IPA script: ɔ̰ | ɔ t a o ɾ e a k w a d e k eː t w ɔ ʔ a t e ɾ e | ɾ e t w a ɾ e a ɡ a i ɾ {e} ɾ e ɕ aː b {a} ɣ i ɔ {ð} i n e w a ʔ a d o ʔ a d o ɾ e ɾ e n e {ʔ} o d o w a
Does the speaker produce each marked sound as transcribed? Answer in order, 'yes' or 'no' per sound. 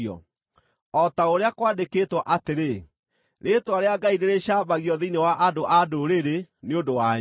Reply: yes, yes, yes, no

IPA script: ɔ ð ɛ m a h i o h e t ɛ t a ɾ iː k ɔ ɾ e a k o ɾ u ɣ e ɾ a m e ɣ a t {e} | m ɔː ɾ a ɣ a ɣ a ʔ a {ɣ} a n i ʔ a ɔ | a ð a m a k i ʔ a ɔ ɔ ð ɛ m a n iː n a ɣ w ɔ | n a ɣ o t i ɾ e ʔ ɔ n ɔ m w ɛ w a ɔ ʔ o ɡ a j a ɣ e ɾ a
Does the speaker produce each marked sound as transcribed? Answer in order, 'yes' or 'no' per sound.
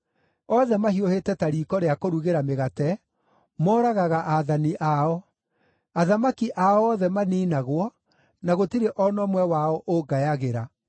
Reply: no, no

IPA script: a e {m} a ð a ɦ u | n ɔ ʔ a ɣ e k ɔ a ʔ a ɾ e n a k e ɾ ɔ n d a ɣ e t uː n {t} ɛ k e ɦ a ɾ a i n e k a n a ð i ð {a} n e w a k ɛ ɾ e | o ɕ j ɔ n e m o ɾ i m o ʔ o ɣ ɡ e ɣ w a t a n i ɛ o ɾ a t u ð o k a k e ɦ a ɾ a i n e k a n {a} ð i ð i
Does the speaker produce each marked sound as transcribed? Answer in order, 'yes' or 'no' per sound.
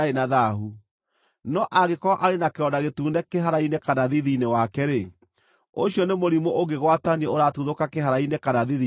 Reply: no, no, no, yes

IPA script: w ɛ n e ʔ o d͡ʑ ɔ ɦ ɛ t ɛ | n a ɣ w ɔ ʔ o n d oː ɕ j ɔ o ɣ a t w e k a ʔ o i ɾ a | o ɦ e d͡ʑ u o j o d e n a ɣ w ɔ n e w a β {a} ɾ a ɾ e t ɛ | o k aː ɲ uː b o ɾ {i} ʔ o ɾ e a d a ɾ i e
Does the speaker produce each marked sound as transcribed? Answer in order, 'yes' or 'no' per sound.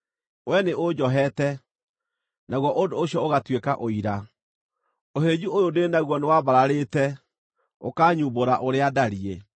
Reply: yes, no

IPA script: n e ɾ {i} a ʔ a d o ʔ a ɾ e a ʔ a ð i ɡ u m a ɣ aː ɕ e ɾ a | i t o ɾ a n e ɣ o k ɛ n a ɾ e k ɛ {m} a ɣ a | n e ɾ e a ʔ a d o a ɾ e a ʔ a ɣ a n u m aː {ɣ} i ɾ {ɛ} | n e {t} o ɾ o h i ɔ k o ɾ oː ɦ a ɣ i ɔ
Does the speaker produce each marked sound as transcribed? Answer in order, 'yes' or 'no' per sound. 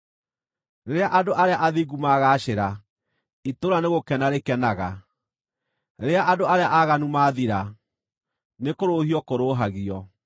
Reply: no, no, no, no, no

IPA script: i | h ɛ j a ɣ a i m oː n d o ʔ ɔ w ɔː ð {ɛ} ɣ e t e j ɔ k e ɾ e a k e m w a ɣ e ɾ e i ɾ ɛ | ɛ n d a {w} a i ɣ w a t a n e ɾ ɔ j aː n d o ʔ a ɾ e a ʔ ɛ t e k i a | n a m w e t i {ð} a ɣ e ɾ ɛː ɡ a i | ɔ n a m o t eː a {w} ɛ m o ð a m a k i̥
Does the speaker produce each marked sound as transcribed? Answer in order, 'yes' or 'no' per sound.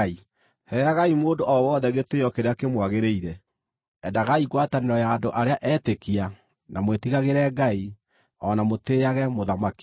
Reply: yes, no, no, no

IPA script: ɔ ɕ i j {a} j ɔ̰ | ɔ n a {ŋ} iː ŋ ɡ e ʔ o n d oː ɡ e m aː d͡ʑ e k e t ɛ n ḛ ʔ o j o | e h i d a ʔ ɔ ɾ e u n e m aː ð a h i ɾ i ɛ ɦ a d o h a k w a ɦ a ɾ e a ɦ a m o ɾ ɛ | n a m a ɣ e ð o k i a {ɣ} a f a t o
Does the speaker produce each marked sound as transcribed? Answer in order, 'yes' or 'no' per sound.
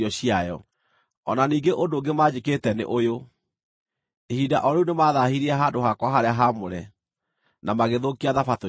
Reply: yes, no, no

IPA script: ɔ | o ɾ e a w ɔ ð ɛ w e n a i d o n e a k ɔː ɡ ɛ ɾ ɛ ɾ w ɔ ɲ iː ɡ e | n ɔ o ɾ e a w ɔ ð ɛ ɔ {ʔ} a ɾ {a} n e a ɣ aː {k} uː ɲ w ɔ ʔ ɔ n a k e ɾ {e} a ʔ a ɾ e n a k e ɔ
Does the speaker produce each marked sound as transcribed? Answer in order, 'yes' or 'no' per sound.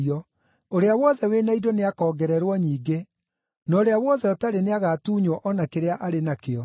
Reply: no, no, no, yes

